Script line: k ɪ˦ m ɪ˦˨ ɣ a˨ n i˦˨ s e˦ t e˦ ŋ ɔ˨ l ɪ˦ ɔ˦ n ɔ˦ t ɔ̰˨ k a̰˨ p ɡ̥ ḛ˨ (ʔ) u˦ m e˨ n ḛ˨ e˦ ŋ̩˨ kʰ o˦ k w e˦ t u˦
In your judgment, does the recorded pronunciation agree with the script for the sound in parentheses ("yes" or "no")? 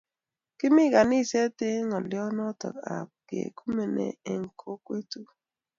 no